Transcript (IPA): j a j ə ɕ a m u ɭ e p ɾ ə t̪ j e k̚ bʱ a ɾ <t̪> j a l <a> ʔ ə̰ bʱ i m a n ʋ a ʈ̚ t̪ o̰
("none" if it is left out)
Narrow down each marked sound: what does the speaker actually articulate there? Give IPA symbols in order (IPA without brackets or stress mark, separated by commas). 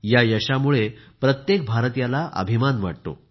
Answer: t̪, a